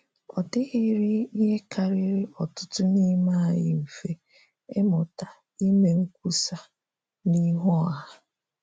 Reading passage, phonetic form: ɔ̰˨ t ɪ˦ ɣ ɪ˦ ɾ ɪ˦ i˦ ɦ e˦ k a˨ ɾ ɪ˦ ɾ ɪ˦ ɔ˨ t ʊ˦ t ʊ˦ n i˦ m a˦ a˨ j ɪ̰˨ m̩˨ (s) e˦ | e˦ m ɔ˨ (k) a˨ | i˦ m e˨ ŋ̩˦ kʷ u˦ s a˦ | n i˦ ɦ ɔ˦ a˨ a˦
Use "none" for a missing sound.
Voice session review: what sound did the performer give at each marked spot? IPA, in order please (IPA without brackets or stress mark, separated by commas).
f, t